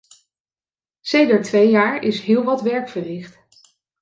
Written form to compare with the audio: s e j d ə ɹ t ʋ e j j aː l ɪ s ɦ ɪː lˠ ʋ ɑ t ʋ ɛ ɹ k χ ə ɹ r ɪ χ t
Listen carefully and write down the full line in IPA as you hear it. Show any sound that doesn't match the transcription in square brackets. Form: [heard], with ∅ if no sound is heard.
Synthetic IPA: s e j d ə ɹ t ʋ e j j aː [ɹ] ɪ s ɦ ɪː lˠ ʋ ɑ t ʋ ɛ ɹ k [f] ə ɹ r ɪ χ t